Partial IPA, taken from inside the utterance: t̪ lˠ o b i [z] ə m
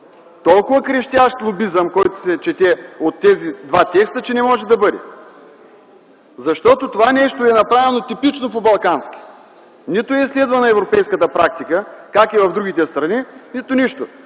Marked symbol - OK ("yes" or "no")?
yes